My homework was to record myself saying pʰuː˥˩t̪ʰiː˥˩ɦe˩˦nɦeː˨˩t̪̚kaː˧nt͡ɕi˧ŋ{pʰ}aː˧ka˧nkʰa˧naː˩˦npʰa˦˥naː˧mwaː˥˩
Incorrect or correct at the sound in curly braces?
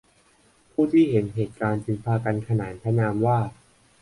correct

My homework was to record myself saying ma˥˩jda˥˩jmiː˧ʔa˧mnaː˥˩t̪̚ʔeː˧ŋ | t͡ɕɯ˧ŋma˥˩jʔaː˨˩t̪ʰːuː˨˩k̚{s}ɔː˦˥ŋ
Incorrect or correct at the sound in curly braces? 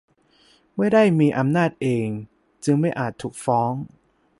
incorrect: f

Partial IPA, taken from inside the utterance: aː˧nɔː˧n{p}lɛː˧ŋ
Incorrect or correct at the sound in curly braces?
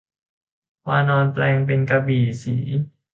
correct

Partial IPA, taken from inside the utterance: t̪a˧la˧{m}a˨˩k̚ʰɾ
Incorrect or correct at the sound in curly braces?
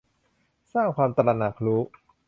incorrect: n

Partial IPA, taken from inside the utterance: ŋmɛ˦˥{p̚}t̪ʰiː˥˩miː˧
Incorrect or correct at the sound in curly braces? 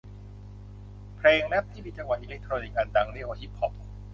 correct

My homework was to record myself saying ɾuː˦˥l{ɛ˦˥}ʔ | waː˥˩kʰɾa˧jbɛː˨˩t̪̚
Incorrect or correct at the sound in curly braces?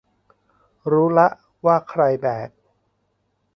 incorrect: a˦˥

